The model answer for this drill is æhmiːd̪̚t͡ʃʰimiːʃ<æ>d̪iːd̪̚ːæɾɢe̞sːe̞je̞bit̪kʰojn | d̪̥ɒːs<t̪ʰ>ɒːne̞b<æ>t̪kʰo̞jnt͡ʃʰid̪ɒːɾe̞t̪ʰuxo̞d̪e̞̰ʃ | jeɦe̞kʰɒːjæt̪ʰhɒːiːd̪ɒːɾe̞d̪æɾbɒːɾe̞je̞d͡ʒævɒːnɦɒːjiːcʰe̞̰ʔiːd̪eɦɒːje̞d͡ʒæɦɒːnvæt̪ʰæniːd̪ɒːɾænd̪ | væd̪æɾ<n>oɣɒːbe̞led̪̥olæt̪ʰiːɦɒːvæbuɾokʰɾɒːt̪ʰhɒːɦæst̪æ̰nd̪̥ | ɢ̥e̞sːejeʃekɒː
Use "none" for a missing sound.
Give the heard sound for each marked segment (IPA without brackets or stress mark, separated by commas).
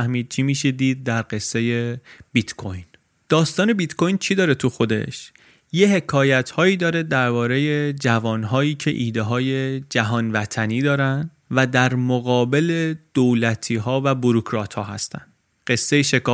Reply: e, t̪, i, m